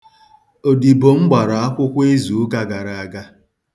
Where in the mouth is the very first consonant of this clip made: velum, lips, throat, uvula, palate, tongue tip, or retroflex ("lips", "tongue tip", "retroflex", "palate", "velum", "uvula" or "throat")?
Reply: tongue tip